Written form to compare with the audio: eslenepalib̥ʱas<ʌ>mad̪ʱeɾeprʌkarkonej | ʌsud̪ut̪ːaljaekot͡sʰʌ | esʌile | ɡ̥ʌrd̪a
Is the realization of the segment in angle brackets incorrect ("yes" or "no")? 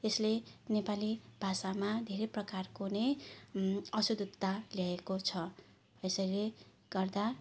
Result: yes